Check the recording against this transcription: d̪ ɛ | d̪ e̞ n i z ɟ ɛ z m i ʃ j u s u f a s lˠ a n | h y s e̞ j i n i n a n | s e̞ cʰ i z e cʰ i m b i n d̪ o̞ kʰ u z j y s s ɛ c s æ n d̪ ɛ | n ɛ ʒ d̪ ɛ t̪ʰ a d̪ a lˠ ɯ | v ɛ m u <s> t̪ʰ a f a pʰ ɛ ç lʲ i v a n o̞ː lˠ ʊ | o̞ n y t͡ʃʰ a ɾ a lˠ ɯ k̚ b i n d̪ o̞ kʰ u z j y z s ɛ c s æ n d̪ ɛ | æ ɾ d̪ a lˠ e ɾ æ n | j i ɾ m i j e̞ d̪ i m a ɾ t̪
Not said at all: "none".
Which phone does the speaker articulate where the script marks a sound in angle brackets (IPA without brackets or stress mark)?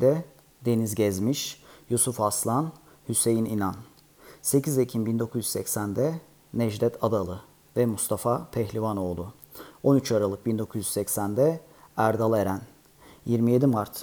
s